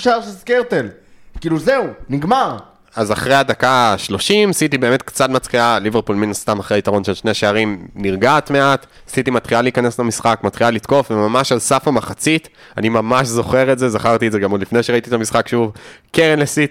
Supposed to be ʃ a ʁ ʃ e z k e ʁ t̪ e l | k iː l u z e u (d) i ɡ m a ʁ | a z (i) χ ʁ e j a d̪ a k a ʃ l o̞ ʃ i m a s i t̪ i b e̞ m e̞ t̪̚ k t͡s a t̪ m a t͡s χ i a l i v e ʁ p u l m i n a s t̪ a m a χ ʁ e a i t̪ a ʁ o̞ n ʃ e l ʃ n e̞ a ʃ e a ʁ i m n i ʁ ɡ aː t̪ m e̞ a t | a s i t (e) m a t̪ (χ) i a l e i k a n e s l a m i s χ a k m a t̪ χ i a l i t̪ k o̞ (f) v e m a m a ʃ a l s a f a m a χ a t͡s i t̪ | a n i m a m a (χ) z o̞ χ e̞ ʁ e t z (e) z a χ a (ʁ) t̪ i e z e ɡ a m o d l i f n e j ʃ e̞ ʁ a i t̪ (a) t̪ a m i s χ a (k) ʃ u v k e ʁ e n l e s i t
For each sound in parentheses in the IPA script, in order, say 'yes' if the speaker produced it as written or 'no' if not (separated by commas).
no, no, no, yes, yes, no, yes, yes, no, yes